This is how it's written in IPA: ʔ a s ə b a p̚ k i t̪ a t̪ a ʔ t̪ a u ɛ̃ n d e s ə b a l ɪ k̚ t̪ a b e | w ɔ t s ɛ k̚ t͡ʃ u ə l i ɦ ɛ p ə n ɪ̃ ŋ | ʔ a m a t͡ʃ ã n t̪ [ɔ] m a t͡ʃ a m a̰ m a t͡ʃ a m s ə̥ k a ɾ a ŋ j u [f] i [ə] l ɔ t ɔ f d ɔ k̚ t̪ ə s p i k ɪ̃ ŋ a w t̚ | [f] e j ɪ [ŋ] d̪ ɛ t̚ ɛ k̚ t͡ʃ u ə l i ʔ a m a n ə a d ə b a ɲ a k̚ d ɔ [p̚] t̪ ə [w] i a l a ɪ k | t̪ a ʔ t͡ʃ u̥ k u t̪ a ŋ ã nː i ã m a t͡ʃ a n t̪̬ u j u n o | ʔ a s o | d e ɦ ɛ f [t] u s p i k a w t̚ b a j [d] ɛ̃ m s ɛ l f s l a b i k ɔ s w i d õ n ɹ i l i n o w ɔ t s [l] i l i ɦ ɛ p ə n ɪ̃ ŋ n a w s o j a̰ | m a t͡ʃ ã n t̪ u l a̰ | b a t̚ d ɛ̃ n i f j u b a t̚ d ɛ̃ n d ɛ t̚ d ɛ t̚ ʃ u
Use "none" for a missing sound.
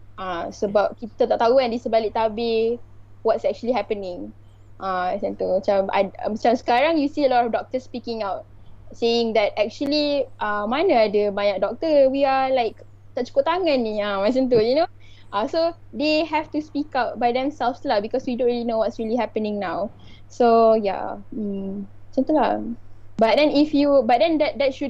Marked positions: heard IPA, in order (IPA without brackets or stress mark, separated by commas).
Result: u, s, ə, s, ŋ, k̚, w, t, d, ɹ